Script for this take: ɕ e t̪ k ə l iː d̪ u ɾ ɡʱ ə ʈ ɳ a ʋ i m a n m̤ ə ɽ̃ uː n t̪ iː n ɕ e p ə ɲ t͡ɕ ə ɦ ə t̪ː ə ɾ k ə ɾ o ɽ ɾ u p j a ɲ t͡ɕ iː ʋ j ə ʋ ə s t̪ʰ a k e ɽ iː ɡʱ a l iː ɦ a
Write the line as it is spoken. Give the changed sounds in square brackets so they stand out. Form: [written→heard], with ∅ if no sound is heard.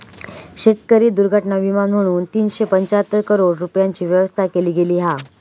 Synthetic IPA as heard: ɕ e t̪ k ə [l→ɾ] iː d̪ u ɾ ɡʱ ə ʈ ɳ a ʋ i m a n m̤ ə ɽ̃ uː n t̪ iː n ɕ e p ə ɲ t͡ɕ [ə→a] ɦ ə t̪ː ə ɾ k ə ɾ o ɽ ɾ u p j a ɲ t͡ɕ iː ʋ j ə ʋ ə s t̪ʰ a k e [ɽ→l] iː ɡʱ [a→e] l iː ɦ a